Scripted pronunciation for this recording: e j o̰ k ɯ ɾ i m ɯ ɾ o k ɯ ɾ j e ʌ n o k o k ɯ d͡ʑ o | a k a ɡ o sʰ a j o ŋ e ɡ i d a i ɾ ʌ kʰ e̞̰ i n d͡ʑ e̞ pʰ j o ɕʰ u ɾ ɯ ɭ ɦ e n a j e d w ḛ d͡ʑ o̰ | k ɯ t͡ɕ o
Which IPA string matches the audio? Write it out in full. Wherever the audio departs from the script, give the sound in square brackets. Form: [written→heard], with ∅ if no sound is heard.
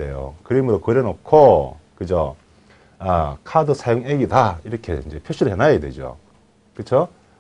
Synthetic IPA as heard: e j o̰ k ɯ ɾ i m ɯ ɾ o k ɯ ɾ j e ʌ n o [k→kʰ] o k ɯ d͡ʑ o | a [k→kʰ] a [ɡ→d] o sʰ a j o ŋ e ɡ i d a i ɾ ʌ kʰ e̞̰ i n d͡ʑ e̞ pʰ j o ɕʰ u ɾ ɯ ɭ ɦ e n a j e d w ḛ d͡ʑ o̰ | k ɯ [t͡ɕ→t͡ɕʰ] o